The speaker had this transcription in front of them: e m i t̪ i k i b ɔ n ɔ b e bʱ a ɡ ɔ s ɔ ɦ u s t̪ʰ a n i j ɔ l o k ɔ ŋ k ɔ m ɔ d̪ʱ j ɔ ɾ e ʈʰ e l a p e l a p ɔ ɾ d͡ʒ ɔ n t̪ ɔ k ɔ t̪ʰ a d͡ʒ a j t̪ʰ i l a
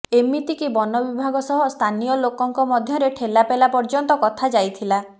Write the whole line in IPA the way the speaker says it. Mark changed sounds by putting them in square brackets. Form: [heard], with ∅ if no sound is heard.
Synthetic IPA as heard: e m i t̪ i k i b ɔ n ɔ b [i] bʱ a ɡ ɔ s ɔ ɦ [ɔ] s t̪ʰ a n i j ɔ l o k ɔ ŋ k ɔ m ɔ d̪ʱ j ɔ ɾ e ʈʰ e l a p e l a p ɔ ɾ d͡ʒ ɔ n t̪ ɔ k ɔ t̪ʰ a d͡ʒ a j t̪ʰ i l a